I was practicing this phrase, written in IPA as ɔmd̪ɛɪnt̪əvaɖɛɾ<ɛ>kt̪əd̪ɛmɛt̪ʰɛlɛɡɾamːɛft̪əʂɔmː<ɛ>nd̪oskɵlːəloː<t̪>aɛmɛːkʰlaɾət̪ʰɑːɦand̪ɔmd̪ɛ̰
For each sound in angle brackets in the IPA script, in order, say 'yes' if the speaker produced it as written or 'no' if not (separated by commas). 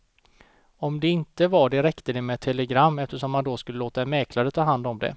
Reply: yes, no, yes